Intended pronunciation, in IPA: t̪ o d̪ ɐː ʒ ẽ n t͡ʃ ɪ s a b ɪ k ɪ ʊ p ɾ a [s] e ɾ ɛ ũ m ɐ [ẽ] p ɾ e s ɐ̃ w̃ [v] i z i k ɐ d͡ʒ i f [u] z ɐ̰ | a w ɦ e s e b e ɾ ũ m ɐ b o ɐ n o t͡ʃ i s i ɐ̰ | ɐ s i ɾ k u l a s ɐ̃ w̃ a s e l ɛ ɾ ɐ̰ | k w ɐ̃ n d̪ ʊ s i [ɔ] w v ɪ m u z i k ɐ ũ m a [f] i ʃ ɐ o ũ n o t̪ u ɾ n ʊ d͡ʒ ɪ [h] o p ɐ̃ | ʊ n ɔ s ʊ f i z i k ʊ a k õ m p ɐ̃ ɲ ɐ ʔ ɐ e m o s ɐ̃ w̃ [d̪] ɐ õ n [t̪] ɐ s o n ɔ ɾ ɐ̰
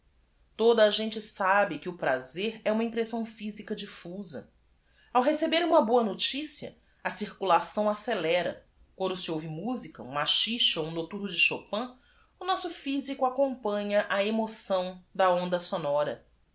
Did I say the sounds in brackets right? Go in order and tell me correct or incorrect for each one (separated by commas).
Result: incorrect, incorrect, incorrect, correct, incorrect, incorrect, incorrect, correct, incorrect